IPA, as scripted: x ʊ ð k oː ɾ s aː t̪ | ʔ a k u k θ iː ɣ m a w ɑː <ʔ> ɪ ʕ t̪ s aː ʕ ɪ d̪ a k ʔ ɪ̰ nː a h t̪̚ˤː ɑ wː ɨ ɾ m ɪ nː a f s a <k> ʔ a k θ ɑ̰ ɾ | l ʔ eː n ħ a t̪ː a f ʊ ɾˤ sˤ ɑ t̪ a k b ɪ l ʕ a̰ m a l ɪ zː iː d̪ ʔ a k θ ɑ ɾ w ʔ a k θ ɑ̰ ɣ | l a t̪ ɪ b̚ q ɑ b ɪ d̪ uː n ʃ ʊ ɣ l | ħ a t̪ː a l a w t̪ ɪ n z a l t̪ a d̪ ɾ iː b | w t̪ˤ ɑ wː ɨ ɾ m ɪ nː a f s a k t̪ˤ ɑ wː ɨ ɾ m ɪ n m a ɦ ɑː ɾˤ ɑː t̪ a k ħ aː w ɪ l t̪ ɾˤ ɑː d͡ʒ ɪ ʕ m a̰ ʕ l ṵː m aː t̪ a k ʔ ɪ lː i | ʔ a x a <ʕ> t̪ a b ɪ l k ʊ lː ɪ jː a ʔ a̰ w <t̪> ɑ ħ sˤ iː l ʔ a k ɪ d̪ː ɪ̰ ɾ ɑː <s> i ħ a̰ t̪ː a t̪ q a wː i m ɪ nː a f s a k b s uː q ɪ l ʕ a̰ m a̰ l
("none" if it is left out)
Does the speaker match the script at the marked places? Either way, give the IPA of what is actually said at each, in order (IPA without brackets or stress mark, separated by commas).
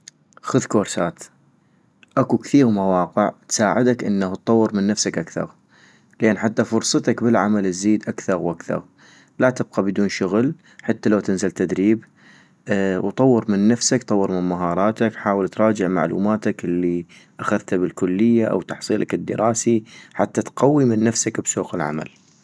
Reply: q, k, ð, t̪, s